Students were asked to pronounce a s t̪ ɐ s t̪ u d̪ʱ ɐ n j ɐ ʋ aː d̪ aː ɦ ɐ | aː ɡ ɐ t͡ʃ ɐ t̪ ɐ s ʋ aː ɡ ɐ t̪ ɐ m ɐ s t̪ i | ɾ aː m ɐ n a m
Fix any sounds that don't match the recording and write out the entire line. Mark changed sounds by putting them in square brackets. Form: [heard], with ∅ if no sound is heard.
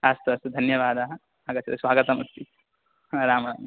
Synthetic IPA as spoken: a s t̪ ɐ s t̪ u d̪ʱ ɐ n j ɐ ʋ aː d̪ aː ɦ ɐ | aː ɡ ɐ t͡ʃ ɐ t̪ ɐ s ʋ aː ɡ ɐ t̪ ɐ m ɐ s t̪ i | ɾ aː m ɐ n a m